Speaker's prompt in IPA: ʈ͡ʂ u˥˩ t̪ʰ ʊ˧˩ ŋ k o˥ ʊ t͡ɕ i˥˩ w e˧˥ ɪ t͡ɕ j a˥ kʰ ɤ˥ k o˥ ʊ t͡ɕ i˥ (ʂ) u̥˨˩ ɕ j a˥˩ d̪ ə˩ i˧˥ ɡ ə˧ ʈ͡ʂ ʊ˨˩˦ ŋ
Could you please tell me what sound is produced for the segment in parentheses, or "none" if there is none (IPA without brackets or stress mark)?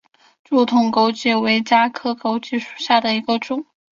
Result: ʂ